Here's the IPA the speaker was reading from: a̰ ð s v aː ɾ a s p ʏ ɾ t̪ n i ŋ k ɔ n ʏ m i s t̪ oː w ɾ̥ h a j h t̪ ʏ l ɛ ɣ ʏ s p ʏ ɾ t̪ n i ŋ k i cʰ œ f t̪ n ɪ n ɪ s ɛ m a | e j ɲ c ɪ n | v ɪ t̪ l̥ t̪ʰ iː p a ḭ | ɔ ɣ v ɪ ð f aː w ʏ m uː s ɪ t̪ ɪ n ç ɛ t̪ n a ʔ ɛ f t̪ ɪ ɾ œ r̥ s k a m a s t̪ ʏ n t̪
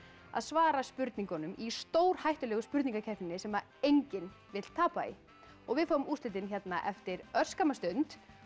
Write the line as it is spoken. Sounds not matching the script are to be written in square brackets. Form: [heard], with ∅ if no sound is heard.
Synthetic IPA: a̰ ð s v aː ɾ a s p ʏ ɾ t̪ n i ŋ k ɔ n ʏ m i s t̪ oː w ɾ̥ h a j h t̪ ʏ l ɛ ɣ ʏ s p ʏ ɾ t̪ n i ŋ k [a] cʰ [ɛ] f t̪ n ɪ n ɪ s ɛ m a | e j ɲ c ɪ n | v ɪ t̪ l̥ t̪ʰ [aː] p a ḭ | ɔ ɣ v ɪ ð f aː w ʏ m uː s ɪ t̪ ɪ n ç ɛ t̪ n a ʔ ɛ f t̪ ɪ ɾ œ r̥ s k a m a s t̪ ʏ n t̪